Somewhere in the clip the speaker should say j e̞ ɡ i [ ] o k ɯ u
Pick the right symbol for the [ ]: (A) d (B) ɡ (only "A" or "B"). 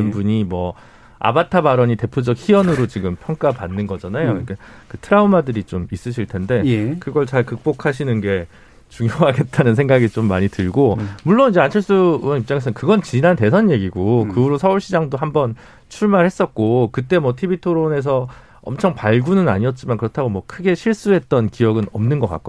B